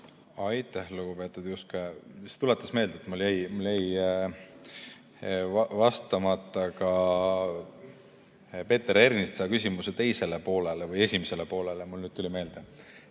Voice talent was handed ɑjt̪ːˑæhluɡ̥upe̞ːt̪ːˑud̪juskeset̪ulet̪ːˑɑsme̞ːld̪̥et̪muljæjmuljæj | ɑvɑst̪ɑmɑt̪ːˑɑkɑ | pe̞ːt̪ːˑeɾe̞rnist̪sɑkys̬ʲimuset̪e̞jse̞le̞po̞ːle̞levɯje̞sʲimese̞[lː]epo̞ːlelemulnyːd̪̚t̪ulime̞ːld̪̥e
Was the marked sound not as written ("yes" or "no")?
yes